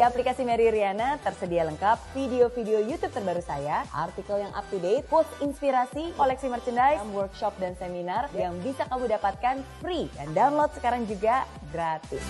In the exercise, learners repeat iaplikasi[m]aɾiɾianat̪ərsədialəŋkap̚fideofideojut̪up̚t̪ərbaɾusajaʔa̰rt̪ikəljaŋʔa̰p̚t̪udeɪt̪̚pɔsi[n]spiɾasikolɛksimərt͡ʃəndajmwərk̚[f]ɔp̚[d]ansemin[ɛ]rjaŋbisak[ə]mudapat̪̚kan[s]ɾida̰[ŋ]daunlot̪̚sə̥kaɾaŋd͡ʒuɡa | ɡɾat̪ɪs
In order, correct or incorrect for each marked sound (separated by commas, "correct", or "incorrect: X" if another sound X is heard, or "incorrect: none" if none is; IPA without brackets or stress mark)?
correct, correct, incorrect: ʃ, correct, incorrect: a, incorrect: a, incorrect: f, incorrect: n